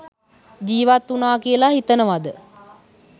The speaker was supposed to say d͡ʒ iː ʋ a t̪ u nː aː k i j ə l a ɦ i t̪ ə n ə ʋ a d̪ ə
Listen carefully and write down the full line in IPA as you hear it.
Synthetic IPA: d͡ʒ iː ʋ a t̪ u n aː k i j ə l a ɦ i t̪ ə n ə ʋ a d̪ ə